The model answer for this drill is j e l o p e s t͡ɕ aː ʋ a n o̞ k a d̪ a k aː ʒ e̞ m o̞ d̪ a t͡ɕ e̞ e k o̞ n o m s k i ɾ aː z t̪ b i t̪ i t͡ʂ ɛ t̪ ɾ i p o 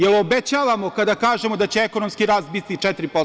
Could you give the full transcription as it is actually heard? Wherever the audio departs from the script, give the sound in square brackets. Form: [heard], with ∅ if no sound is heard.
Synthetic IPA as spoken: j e l o [b] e [∅] t͡ɕ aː ʋ a [m] o̞ k a d̪ a k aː ʒ e̞ m o̞ d̪ a t͡ɕ e̞ e k o̞ n o m s k i ɾ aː [s] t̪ b i t̪ i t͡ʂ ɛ t̪ ɾ i p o

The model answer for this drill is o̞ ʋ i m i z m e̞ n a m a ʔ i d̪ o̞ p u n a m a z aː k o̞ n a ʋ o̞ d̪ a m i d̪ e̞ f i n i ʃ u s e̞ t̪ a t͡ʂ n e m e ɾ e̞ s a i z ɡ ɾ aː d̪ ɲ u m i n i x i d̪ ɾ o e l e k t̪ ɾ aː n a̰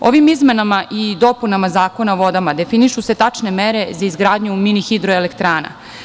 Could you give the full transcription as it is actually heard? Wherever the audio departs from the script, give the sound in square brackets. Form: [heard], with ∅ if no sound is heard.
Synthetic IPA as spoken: o̞ ʋ i m i z m e̞ n a m a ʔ i d̪ o̞ p u n a m a z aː k o̞ n a ʋ o̞ d̪ a m [a] d̪ e̞ f i n i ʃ u s e̞ t̪ a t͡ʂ n e m e ɾ e̞ [z] a i z ɡ ɾ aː d̪ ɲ u m i n i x i d̪ ɾ o e l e k t̪ ɾ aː n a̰

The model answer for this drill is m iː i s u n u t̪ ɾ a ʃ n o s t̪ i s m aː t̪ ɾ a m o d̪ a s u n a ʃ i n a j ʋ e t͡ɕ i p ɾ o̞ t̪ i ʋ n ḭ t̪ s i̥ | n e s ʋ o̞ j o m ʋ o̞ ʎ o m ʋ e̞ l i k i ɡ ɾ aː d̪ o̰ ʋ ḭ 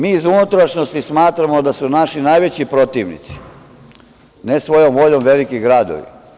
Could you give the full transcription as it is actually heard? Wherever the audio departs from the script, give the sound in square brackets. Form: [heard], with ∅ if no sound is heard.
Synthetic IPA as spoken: m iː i [z] u n u t̪ ɾ a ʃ n o s t̪ i s m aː t̪ ɾ a m o d̪ a s u n a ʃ i n a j ʋ e t͡ɕ i p ɾ o̞ t̪ i ʋ n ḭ t̪ s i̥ | n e s ʋ o̞ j o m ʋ o̞ ʎ o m ʋ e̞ l i k i ɡ ɾ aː d̪ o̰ ʋ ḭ

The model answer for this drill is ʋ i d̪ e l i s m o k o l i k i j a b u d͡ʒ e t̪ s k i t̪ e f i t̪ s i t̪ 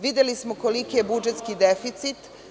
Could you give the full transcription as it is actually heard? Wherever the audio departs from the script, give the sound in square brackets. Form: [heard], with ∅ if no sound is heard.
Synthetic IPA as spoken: ʋ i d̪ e l i s m o k o l i k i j [e] b u d͡ʒ e t̪ s k i [d̪] e f i t̪ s i t̪

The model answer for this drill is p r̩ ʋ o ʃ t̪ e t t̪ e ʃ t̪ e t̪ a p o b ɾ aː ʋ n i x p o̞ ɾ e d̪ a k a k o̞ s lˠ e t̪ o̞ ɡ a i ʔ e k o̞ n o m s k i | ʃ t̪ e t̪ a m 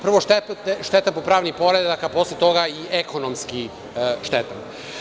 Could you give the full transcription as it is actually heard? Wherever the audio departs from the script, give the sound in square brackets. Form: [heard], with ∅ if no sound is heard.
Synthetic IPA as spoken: p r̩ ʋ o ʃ t̪ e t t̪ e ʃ t̪ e t̪ a p o [p] ɾ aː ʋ n i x p o̞ ɾ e d̪ a k a [p] o̞ s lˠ e t̪ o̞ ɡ a i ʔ e k o̞ n o m s k i | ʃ t̪ e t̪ a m

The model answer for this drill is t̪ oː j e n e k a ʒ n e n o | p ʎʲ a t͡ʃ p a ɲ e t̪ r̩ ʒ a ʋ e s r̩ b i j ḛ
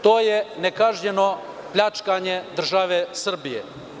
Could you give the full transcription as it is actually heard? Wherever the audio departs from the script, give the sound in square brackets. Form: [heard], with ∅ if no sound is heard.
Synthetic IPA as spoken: t̪ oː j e n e k a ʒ [ɲ] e n o | p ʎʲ a t͡ʃ [k] a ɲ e [d̪] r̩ ʒ a ʋ e s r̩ b i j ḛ

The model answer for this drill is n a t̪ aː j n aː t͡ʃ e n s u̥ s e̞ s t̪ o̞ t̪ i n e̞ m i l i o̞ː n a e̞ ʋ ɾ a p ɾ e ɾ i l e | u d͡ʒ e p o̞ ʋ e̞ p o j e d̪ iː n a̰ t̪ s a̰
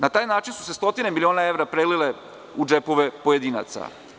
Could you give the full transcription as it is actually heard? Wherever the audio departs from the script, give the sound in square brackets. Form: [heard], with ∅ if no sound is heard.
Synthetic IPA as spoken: n a t̪ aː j n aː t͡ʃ [i] n s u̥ s e̞ s t̪ o̞ t̪ i n e̞ m i l i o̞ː n a e̞ ʋ ɾ a p ɾ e [l] i l e | u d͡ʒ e p o̞ ʋ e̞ p o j e d̪ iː n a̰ t̪ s a̰

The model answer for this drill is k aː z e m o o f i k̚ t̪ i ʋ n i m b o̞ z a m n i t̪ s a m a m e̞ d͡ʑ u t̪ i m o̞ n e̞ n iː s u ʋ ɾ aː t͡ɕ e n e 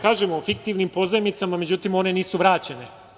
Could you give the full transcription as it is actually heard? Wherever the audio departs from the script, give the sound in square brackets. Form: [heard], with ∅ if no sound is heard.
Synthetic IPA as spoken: k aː [ʒ] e m o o f i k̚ t̪ i ʋ n i m [p] o̞ z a m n i t̪ s a m a m e̞ d͡ʑ u t̪ i m o̞ n e̞ n iː s u ʋ ɾ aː t͡ɕ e n e

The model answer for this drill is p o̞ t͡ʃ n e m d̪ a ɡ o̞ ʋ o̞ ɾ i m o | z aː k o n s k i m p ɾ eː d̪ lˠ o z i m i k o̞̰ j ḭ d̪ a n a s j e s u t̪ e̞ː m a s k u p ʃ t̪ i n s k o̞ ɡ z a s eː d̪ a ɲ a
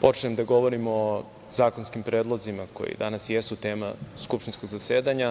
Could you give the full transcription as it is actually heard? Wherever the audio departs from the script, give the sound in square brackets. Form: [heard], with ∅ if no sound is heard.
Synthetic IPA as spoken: p o̞ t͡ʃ n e m d̪ a ɡ o̞ ʋ o̞ ɾ i m o | z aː k o n s k i m p ɾ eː d̪ lˠ o z i m [a] k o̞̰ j ḭ d̪ a n a s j e s u t̪ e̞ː m a s k u p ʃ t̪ i n s k o̞ ɡ z a s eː d̪ a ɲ a

